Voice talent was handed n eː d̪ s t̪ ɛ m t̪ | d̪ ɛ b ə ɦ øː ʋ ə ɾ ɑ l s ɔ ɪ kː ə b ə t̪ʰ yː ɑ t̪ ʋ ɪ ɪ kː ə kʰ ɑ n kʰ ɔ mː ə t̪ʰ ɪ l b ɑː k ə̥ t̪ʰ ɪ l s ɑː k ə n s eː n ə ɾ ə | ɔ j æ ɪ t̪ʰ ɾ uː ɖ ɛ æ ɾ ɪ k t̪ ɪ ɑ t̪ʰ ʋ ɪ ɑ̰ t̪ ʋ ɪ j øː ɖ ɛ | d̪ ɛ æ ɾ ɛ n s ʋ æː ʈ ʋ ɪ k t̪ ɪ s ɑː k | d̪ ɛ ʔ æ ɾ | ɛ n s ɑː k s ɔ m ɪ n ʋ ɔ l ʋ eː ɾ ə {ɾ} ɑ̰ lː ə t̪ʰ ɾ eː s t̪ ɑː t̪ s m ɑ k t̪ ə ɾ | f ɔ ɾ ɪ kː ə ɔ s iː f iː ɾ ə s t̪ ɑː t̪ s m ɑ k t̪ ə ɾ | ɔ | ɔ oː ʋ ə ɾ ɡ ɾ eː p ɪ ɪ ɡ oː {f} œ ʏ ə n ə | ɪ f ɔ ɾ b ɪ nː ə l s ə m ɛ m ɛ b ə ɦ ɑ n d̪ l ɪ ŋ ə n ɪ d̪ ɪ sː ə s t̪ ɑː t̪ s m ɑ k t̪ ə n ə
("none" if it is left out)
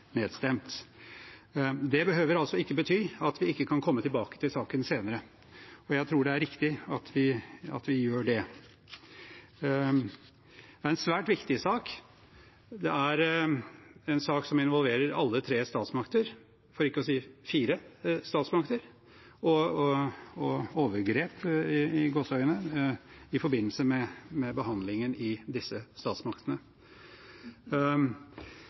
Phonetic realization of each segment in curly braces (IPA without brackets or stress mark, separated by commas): ɾ, s